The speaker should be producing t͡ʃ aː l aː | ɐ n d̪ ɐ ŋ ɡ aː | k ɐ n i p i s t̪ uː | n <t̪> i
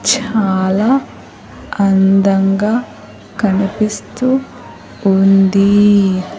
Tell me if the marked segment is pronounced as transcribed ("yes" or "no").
no